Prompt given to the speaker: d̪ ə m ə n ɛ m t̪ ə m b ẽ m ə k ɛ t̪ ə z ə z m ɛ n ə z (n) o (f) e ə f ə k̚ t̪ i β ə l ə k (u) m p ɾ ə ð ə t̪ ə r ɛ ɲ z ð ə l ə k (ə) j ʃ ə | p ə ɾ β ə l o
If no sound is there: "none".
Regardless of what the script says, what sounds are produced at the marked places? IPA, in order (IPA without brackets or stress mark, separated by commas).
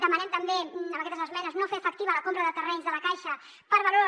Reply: n, f, o, a